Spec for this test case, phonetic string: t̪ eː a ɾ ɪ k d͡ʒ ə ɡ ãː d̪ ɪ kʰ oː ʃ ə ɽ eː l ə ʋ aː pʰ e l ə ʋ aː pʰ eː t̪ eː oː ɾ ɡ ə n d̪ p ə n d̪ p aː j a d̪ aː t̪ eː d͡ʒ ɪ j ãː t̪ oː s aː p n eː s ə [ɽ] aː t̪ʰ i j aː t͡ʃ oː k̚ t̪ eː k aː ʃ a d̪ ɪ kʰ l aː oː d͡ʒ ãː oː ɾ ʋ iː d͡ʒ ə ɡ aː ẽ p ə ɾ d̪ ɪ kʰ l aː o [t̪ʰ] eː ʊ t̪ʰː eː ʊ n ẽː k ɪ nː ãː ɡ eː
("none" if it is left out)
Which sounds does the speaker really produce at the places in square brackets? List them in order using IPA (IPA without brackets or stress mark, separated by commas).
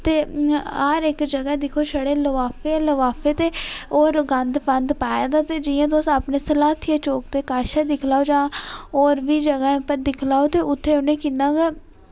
l, t̪